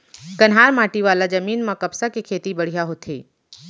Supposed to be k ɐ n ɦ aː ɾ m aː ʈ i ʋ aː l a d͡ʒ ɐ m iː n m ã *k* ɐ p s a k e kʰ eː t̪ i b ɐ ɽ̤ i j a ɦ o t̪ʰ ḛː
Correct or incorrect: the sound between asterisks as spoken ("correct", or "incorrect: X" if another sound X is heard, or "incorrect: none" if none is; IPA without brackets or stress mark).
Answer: correct